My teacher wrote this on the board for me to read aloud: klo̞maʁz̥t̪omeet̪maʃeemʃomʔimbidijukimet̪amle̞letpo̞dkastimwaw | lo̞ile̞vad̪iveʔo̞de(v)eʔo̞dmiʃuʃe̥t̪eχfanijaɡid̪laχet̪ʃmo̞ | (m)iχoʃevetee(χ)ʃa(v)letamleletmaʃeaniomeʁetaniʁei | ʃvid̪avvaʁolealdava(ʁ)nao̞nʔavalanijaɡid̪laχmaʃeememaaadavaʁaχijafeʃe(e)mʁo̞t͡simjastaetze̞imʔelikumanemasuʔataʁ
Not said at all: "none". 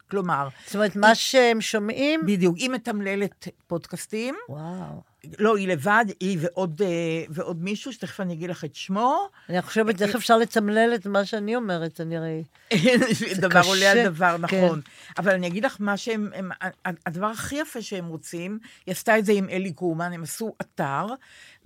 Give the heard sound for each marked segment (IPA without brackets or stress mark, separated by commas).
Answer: v, n, f, ʁ, ʁ, e